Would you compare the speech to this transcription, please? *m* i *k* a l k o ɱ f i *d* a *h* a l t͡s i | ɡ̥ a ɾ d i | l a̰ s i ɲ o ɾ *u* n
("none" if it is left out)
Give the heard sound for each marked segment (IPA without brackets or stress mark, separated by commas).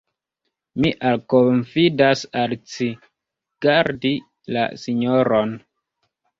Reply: m, ʔ, d, s, o